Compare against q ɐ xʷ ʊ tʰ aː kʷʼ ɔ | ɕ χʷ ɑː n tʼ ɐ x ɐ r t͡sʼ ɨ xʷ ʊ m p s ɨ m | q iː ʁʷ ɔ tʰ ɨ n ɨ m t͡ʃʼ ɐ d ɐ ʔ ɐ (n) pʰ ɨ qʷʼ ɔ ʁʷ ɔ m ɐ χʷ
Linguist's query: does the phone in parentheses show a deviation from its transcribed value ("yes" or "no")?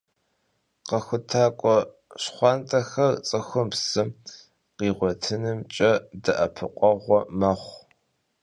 yes